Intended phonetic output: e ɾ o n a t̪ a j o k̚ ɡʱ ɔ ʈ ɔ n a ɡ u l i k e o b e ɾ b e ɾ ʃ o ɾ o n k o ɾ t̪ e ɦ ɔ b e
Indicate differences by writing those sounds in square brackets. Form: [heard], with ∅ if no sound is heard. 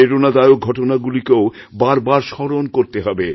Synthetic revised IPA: e ɾ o n a [d̪] a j o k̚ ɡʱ ɔ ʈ [o] n a ɡ u l i k e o b [a] ɾ b [a] ɾ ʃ [ɔ] ɾ o n k o ɾ t̪ e ɦ ɔ b e

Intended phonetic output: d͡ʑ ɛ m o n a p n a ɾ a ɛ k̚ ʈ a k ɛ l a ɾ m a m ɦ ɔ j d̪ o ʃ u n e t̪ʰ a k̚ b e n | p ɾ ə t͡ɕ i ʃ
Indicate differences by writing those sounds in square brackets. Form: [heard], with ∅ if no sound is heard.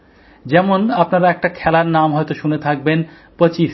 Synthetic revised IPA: d͡ʑ ɛ m o n a p n a ɾ a ɛ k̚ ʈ a [kʰ] ɛ l a ɾ [n] a m ɦ ɔ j [t̪] o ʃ u n e t̪ʰ a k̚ b e n | p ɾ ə t͡ɕ i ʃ

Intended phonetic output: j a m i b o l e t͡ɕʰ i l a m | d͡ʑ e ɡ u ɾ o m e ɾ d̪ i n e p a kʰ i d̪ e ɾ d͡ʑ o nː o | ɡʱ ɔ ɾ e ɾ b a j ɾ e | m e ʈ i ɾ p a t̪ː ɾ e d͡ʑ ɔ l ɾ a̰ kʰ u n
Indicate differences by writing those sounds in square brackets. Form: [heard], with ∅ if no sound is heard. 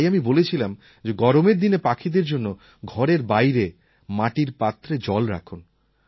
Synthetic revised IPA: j a m i b o l e t͡ɕʰ i l a m | d͡ʑ e ɡ [ɔ] ɾ o m e ɾ d̪ i n e p a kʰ i d̪ e ɾ d͡ʑ o nː o | ɡʱ ɔ ɾ e ɾ b a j ɾ e | m [a] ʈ i ɾ p a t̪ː ɾ e d͡ʑ ɔ l ɾ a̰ kʰ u n

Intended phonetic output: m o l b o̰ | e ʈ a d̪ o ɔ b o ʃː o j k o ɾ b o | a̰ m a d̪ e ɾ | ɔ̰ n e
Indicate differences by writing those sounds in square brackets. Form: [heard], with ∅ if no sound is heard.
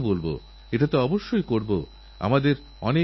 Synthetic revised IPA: [b] o l b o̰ | e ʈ a [t̪] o ɔ b o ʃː o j k o ɾ b o | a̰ m a d̪ e ɾ | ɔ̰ n e

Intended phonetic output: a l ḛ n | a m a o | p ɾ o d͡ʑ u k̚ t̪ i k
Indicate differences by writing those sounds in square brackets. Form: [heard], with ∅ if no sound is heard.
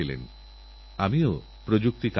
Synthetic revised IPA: [i] l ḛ n | a m [i] o | p ɾ o d͡ʑ u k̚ t̪ i k

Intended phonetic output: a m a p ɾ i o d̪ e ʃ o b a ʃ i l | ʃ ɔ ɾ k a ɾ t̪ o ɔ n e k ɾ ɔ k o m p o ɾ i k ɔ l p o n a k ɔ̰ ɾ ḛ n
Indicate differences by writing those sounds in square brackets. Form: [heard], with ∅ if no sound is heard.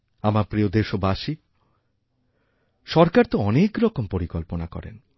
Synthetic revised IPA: a m a p ɾ i o d̪ e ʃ o b a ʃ i [∅] | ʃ ɔ ɾ k a ɾ t̪ o ɔ n e k ɾ ɔ k o m p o ɾ i k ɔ l p o n a k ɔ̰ ɾ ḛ n

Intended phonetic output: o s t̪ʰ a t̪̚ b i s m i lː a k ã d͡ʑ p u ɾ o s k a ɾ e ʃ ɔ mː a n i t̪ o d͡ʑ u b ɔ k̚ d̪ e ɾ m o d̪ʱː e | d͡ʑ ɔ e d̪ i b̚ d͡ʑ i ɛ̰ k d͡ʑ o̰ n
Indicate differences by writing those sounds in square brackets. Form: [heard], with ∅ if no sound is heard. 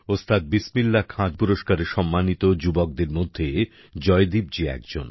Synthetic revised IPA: o s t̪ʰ a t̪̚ b i s m i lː a [kʰ] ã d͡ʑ p u ɾ o [ʃ] k a ɾ e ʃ ɔ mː a n i t̪ o d͡ʑ u b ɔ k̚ d̪ e ɾ m o d̪ʱː e | d͡ʑ ɔ e d̪ i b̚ d͡ʑ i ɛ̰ k d͡ʑ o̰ n

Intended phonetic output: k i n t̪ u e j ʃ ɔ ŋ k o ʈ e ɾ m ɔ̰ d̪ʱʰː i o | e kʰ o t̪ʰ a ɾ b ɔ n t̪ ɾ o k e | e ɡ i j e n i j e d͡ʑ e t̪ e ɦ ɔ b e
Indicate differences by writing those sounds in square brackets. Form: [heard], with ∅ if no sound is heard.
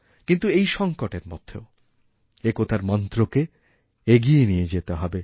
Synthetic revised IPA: k i n t̪ u e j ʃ ɔ ŋ k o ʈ e ɾ m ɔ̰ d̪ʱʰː [e] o | e [k] o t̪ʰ a ɾ [m] ɔ n t̪ ɾ o k e | e ɡ i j e n i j e d͡ʑ e t̪ e ɦ ɔ b e

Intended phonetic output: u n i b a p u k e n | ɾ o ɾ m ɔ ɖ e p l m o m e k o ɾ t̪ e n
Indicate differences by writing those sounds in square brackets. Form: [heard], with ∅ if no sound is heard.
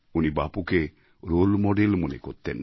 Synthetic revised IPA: u n i b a p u k e [∅] | ɾ o [l] m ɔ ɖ e [∅] l m o [n] e k o ɾ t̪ e n

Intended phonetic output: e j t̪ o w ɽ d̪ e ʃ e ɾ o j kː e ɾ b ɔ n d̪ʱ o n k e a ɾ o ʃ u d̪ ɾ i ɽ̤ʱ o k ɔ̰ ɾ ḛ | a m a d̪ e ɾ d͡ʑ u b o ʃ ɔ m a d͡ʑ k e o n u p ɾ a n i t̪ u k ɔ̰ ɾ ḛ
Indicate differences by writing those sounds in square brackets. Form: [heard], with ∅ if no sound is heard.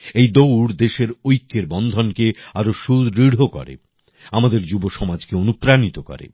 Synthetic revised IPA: e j [d̪] o w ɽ d̪ e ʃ e ɾ o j kː e ɾ b ɔ n d̪ʱ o n k e a ɾ o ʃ u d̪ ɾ i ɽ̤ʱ o k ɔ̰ ɾ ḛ | a m a d̪ e ɾ d͡ʑ u b o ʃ ɔ m a d͡ʑ k e o n u p ɾ a n i t̪ [o] k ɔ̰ ɾ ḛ

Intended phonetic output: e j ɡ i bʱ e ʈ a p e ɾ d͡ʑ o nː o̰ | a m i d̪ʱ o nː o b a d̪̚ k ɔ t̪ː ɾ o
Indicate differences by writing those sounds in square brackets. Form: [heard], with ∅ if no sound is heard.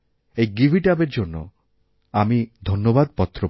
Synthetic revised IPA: e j ɡ i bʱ [i] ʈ a [b] e ɾ d͡ʑ o nː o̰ | a m i d̪ʱ o nː o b a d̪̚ [p] ɔ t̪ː ɾ o

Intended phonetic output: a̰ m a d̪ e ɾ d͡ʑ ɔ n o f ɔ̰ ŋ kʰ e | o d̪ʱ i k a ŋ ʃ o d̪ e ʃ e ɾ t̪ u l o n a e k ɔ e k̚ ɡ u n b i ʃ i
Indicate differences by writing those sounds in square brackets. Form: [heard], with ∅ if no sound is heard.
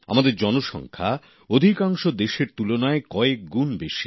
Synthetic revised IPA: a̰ m a d̪ e ɾ d͡ʑ ɔ n o [ʃ] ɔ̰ ŋ kʰ [a] | o d̪ʱ i k a ŋ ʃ o d̪ e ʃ e ɾ t̪ u l o n a e k ɔ e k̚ ɡ u n b [e] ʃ i

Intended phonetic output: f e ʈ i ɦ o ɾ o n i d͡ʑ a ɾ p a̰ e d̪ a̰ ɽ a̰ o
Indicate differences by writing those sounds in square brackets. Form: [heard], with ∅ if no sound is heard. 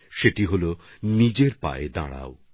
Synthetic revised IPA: [ʃ] e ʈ i ɦ o [l] o n i d͡ʑ [e] ɾ p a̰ e d̪ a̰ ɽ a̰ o

